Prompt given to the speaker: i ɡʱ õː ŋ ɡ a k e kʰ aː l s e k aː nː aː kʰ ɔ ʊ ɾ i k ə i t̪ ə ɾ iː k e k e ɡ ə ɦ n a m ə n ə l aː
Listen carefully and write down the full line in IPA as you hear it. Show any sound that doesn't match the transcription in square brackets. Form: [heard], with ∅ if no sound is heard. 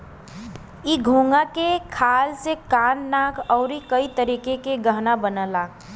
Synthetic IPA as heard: i ɡʱ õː ŋ ɡ a k e kʰ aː l s e k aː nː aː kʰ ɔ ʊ ɾ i k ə i t̪ ə ɾ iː k e k e ɡ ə ɦ n a [b] ə n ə l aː